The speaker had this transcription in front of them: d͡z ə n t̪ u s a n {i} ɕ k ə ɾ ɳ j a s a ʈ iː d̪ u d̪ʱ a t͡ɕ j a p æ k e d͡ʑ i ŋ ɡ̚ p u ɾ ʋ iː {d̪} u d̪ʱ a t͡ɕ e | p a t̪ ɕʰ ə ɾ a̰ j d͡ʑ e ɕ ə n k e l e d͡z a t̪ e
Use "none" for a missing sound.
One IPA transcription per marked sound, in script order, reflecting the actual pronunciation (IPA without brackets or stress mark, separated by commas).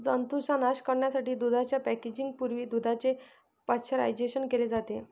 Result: a, d̪